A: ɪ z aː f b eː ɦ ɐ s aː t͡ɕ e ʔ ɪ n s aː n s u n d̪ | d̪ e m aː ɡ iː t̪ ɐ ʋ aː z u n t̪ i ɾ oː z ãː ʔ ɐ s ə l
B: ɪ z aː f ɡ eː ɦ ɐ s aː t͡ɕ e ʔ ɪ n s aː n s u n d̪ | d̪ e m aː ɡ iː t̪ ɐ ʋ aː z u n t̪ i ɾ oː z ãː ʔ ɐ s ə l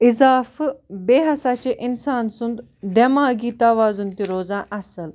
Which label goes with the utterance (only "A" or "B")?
A